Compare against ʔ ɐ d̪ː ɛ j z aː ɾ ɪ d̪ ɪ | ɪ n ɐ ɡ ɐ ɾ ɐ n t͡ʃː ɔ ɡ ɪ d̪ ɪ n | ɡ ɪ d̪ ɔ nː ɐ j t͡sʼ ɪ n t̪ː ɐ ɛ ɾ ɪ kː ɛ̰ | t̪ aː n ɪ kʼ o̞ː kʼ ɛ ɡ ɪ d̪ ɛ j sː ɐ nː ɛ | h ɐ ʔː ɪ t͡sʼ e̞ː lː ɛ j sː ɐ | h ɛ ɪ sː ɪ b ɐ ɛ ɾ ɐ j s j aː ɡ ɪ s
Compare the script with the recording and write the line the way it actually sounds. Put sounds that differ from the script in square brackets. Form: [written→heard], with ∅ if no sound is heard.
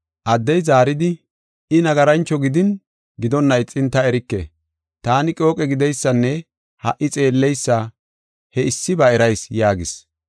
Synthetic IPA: ʔ ɐ d̪ː ɛ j z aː ɾ ɪ d̪ ɪ | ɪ n ɐ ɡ ɐ ɾ ɐ n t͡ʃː ɔ ɡ ɪ d̪ ɪ n | ɡ ɪ d̪ ɔ nː ɐ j t͡sʼ ɪ n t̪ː ɐ ɛ ɾ ɪ kː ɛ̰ | t̪ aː n ɪ kʼ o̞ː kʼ ɛ ɡ ɪ d̪ ɛ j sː ɐ nː ɛ | h ɐ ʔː ɪ t͡sʼ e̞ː lː ɛ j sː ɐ | h ɛ ɪ sː ɪ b ɐ ɛ ɾ ɐ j s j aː ɡ ɪ s